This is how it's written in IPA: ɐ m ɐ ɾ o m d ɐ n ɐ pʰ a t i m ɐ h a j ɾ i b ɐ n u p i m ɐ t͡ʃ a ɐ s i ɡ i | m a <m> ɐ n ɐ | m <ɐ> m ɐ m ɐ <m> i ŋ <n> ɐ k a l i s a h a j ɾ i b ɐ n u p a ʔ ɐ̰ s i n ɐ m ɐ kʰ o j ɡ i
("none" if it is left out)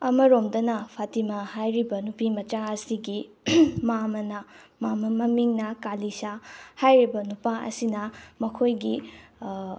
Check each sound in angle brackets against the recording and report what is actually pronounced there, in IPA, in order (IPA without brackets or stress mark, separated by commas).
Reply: m, a, m, n